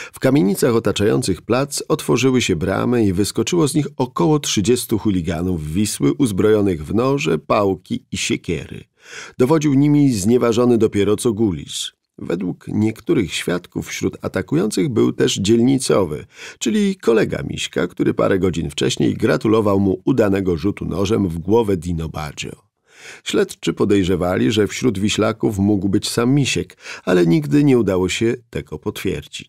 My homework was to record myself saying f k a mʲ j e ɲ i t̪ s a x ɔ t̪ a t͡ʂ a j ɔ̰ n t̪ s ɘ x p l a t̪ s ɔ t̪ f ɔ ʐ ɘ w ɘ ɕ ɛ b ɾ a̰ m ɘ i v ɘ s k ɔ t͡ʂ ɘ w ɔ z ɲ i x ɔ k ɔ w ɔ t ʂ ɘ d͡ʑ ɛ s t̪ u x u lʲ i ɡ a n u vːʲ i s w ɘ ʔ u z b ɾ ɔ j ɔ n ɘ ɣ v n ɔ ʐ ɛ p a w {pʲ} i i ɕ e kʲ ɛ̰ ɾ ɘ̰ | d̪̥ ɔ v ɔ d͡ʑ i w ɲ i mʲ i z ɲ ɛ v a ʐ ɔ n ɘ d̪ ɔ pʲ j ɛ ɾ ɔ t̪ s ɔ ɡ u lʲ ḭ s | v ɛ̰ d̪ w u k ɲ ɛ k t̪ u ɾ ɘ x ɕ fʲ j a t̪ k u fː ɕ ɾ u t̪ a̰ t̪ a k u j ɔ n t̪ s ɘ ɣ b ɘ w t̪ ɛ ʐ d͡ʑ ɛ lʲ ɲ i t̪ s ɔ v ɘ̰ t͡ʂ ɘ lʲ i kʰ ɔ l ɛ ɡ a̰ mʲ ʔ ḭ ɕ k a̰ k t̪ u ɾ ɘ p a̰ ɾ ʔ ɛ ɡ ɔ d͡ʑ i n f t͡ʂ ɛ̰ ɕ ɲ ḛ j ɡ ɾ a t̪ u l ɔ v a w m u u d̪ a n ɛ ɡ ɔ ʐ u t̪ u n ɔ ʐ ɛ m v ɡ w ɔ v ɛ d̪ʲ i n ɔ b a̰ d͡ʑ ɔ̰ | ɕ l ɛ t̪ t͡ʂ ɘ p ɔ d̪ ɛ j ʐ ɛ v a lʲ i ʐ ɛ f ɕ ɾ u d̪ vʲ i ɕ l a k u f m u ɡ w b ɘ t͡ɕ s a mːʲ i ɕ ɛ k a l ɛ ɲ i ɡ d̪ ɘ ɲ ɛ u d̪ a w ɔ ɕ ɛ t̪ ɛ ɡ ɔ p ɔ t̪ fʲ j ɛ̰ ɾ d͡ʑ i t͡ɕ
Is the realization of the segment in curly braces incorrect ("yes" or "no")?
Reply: yes